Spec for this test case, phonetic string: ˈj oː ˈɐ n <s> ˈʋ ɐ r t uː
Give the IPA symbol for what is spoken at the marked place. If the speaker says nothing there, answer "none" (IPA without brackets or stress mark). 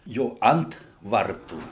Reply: t